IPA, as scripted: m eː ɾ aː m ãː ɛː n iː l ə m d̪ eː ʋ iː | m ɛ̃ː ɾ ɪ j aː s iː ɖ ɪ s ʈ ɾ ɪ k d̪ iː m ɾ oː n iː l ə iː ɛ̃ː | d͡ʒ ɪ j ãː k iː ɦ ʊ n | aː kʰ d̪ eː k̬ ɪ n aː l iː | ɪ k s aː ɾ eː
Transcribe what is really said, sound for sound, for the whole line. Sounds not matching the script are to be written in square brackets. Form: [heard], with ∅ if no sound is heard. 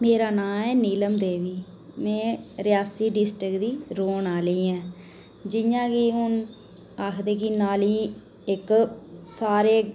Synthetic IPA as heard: m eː ɾ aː [n] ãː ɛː n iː l ə m d̪ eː ʋ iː | m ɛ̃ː ɾ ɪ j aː s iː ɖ ɪ s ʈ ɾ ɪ k d̪ iː [∅] ɾ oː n [aː] l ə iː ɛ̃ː | d͡ʒ ɪ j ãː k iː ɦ ʊ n | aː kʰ d̪ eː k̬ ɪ n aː l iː | ɪ k s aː ɾ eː